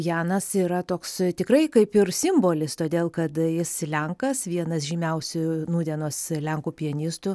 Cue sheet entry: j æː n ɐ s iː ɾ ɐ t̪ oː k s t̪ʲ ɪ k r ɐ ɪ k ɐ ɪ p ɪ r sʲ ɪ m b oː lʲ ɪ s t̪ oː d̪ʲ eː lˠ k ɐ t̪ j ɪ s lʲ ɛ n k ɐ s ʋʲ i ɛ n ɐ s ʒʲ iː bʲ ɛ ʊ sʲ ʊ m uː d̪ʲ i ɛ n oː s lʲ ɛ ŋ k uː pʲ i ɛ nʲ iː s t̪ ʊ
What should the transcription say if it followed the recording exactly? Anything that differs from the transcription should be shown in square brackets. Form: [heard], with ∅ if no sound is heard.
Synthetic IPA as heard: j æː n ɐ s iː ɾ ɐ t̪ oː k s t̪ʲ ɪ k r ɐ ɪ k ɐ ɪ p ɪ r sʲ ɪ m b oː lʲ ɪ s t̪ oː d̪ʲ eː lˠ k ɐ t̪ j ɪ s lʲ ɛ [ŋ] k ɐ s ʋʲ i ɛ n ɐ s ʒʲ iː [mʲ] ɛ ʊ sʲ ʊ [n] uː d̪ʲ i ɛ n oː s lʲ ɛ ŋ k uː pʲ i ɛ nʲ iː s t̪ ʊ